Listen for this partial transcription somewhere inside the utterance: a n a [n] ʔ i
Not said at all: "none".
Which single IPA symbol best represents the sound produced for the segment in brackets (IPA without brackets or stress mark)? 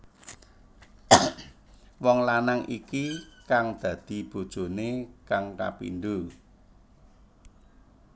ŋ